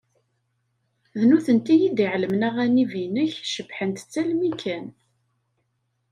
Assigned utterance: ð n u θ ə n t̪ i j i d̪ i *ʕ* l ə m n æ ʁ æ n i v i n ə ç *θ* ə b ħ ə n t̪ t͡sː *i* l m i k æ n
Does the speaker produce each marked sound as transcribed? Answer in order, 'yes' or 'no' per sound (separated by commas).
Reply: yes, no, no